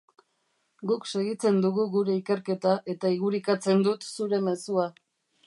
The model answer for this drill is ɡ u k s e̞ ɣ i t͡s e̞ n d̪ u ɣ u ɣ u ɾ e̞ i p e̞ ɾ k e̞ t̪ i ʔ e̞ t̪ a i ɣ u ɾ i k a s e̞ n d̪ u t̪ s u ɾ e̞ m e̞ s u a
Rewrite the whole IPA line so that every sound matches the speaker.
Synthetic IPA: ɡ u k s e̞ ɣ i t͡s e̞ n d̪ u ɣ u ɣ u ɾ e̞ i k e̞ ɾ k e̞ t̪ a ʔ e̞ t̪ a i ɣ u ɾ i k a t͡s e̞ n d̪ u t̪ s u ɾ e̞ m e̞ s u a